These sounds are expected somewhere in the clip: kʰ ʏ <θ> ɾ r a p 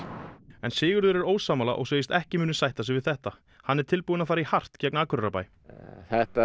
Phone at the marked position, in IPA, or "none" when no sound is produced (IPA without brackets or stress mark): none